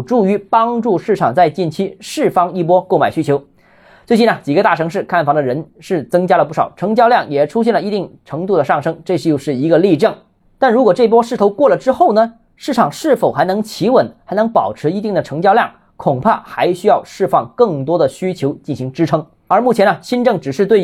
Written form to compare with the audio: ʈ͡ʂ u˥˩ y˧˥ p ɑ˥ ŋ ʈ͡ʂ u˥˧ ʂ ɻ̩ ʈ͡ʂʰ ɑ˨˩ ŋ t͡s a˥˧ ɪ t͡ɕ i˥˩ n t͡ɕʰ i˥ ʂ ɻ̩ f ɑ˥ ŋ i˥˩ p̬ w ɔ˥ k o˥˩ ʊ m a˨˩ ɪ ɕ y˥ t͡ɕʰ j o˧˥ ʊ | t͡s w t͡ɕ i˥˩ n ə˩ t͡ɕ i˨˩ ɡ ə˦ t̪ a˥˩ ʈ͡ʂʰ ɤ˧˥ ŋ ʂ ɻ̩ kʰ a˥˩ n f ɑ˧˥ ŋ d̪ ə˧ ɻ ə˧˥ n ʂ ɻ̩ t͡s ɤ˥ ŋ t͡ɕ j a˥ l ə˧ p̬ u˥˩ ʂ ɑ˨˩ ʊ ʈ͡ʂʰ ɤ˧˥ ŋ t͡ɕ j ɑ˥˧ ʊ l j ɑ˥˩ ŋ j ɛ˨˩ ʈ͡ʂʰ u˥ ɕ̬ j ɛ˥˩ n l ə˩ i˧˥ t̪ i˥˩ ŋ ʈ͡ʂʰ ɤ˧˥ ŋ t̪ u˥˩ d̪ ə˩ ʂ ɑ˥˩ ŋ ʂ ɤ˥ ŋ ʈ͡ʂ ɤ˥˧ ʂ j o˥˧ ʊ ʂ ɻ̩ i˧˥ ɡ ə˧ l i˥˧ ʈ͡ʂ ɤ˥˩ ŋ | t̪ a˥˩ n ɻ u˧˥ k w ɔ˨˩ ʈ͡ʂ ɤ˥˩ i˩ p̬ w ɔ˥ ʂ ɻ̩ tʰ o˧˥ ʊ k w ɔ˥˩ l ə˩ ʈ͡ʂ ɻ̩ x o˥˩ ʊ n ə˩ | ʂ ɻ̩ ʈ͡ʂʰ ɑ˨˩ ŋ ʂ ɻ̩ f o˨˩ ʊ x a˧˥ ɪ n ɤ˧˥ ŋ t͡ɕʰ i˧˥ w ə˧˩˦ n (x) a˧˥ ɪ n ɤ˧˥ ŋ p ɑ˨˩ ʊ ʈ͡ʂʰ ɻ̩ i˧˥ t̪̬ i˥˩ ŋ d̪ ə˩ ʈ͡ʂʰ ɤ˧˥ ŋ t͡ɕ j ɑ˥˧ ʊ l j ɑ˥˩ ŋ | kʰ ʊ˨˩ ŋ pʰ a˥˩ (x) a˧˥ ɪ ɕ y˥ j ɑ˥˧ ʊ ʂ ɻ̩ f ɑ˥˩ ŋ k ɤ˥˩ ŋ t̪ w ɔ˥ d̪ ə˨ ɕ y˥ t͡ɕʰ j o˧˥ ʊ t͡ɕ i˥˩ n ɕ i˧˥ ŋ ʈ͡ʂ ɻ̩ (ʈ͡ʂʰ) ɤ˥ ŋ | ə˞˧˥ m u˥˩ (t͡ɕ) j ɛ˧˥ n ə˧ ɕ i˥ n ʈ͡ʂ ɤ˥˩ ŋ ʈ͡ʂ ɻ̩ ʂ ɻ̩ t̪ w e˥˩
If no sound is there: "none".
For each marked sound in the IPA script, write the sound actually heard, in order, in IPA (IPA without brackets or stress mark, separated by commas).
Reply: x, x, ʈ͡ʂʰ, t͡ɕʰ